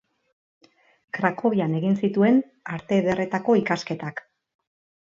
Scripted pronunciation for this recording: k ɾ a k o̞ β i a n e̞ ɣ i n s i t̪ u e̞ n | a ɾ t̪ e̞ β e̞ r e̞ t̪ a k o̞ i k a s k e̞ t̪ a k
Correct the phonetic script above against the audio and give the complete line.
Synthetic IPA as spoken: k ɾ a k o̞ β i a n e̞ ɣ i n s i t̪ u e̞ n | a ɾ t̪ e̞ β e̞ r e̞ t̪ a k o̞ i k a s k e̞ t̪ a k